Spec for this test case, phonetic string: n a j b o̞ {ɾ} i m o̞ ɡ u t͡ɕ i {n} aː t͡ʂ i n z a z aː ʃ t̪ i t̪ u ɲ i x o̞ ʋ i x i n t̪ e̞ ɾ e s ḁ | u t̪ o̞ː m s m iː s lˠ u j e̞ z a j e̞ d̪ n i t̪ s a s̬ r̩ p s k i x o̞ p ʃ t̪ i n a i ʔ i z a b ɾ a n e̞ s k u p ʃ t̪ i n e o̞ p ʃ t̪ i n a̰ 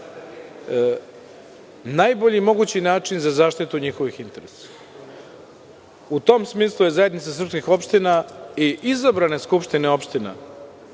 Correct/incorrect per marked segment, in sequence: incorrect, correct

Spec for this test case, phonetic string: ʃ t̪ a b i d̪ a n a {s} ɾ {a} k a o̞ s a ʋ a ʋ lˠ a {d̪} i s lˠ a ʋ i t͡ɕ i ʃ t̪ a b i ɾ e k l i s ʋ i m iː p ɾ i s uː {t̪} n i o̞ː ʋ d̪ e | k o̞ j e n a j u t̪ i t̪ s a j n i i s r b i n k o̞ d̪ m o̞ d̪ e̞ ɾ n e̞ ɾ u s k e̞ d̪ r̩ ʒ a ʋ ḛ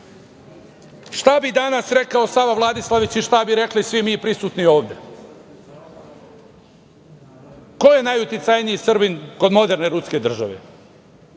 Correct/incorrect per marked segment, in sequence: correct, incorrect, correct, correct

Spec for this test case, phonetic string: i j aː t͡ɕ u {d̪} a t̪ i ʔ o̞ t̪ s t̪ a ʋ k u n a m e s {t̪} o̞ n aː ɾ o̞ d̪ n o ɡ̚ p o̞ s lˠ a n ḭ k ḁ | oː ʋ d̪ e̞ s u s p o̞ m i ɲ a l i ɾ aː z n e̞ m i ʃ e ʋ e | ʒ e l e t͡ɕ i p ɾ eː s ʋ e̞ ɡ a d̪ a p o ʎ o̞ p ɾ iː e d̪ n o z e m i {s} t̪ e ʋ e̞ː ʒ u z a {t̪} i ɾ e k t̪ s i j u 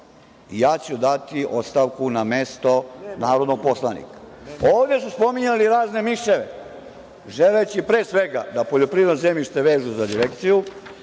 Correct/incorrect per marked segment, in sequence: correct, correct, incorrect, incorrect

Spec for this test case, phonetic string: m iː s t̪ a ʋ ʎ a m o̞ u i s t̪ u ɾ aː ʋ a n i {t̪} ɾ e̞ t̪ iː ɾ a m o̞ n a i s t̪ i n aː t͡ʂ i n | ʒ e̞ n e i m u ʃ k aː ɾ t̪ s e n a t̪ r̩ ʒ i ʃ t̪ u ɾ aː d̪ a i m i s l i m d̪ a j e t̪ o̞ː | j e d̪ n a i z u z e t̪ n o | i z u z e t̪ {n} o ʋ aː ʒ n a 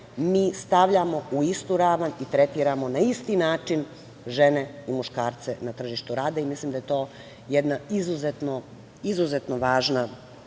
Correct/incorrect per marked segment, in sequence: correct, correct

